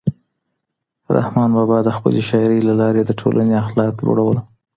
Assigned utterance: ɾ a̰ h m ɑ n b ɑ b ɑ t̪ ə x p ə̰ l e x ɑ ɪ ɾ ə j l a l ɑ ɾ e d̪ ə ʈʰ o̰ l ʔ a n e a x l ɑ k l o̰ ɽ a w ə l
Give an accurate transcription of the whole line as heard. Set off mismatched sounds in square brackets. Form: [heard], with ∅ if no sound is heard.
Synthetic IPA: ɾ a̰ h m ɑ n b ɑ b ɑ [d̪] ə x p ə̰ l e [ʃ] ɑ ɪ ɾ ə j l a l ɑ ɾ e d̪ ə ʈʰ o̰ l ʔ a n e a x l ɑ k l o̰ ɽ a w ə l